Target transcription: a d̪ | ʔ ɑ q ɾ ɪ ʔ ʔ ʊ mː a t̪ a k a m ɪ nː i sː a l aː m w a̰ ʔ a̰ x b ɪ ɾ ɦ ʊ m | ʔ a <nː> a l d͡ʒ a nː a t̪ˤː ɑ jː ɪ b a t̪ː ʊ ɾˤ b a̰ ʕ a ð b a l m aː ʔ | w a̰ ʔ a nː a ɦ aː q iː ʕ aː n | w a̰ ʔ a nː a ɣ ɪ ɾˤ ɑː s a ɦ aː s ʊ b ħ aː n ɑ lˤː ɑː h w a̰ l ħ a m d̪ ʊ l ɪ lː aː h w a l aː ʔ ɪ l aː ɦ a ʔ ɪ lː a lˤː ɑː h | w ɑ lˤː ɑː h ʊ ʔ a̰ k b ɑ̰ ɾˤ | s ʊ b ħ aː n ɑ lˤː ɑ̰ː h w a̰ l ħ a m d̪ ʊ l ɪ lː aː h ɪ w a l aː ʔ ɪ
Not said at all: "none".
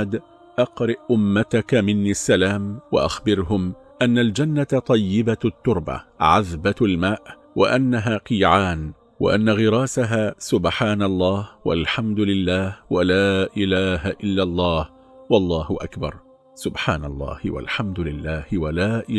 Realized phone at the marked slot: nː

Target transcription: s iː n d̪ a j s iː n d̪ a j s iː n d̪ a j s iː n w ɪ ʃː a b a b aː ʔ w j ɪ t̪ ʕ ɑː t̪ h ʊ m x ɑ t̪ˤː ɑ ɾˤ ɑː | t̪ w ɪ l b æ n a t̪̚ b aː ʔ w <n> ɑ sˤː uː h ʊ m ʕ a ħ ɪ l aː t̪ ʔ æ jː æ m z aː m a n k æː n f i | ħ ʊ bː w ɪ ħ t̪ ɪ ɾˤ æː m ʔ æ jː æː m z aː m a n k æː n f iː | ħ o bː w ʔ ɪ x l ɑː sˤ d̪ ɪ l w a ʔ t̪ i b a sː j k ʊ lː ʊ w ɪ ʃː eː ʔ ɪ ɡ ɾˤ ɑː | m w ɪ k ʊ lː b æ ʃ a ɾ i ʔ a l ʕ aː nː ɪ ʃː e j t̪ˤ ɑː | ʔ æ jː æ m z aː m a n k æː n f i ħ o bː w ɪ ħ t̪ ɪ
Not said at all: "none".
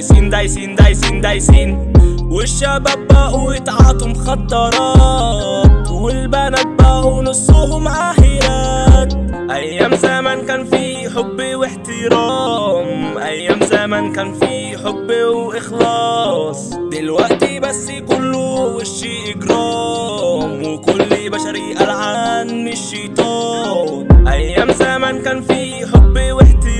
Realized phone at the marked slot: n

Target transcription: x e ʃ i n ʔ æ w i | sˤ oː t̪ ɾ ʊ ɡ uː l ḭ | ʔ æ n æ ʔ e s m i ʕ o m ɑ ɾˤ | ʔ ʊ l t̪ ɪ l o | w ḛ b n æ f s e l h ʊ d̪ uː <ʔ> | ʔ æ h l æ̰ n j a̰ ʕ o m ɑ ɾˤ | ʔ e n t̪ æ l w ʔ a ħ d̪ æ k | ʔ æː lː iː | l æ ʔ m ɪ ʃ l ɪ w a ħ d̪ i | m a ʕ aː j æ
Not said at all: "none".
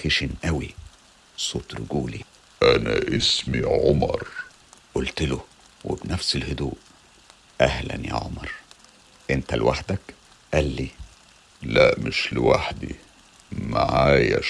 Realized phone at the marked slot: ʔ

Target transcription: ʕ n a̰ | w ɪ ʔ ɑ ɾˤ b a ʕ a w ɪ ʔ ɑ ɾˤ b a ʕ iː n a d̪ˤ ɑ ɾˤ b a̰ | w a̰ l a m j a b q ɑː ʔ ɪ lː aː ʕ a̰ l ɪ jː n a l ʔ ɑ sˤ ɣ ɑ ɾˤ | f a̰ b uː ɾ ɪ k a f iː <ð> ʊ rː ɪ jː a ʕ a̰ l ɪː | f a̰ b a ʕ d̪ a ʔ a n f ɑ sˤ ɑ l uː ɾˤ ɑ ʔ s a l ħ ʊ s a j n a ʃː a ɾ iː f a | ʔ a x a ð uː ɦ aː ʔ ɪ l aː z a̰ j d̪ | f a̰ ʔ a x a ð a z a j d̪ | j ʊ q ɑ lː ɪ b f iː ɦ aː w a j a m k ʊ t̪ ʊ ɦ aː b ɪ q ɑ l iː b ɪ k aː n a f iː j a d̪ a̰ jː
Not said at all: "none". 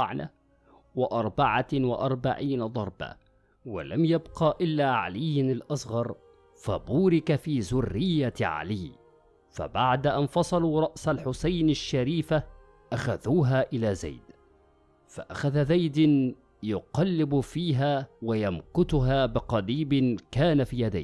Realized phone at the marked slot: z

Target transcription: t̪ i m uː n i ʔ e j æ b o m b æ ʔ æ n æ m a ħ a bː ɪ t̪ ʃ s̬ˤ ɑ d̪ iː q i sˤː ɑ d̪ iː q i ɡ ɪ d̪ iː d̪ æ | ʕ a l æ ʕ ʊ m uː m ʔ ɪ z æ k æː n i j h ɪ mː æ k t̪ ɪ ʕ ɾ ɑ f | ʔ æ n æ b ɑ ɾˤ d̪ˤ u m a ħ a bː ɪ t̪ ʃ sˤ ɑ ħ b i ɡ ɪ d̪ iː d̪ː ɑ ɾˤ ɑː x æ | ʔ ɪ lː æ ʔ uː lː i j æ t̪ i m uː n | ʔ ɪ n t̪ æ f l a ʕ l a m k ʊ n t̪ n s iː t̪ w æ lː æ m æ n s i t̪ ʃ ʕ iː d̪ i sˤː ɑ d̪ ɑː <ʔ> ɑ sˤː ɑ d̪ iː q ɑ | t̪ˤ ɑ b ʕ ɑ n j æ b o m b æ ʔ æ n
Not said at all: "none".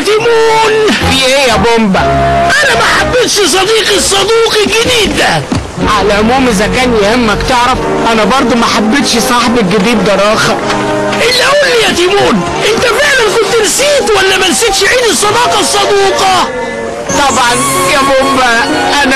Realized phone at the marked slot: q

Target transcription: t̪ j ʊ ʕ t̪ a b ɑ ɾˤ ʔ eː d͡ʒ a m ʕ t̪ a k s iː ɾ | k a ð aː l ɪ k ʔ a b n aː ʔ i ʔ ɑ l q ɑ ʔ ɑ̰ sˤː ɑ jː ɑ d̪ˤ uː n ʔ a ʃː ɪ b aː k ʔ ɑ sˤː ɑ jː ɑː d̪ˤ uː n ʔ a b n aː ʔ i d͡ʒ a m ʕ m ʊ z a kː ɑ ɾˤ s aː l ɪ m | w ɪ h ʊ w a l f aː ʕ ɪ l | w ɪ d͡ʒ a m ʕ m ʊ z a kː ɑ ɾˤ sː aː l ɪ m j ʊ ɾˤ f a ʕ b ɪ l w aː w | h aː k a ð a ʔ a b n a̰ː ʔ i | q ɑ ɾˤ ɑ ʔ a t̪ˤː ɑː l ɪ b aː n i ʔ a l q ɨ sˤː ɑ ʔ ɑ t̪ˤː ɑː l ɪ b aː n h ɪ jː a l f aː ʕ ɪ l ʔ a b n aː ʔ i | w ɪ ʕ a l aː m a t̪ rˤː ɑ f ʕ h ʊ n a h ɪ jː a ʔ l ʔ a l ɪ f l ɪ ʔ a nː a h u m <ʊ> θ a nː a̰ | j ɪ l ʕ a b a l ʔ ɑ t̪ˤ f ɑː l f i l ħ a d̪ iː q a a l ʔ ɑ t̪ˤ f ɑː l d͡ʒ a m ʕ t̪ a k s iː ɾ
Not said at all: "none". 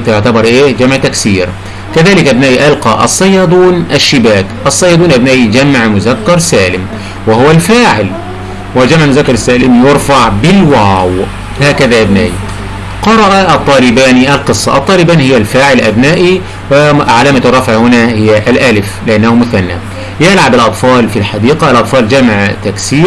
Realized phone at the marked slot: ʊ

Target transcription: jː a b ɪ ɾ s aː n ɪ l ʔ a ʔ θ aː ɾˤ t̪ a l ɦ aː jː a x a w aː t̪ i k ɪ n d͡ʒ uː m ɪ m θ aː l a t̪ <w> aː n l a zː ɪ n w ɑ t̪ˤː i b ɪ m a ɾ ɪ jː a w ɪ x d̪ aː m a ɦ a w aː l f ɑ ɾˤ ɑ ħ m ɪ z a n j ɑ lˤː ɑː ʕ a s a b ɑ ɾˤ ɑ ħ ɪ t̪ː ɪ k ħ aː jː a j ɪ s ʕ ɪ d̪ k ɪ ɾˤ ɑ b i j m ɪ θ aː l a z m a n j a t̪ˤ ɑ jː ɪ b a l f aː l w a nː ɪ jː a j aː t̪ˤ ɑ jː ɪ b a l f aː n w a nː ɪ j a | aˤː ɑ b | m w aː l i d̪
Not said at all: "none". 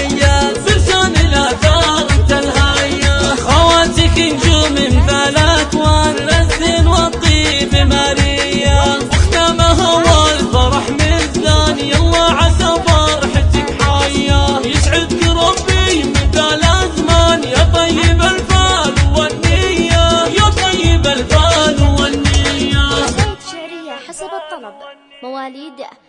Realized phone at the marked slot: w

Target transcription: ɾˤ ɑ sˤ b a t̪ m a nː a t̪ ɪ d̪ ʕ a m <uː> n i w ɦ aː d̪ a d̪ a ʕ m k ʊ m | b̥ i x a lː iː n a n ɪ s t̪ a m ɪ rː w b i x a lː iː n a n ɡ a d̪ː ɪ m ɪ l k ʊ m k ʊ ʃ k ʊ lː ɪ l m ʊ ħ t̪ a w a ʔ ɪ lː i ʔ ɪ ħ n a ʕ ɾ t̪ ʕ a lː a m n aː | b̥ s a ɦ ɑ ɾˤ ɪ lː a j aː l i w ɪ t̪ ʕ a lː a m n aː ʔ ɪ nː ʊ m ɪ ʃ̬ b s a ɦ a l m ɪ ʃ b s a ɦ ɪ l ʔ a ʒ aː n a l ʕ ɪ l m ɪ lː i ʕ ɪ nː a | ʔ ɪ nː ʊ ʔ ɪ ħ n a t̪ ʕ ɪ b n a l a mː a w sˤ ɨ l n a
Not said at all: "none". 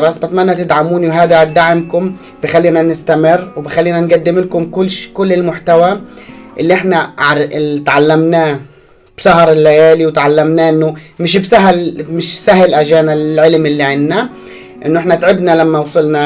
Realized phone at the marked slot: uː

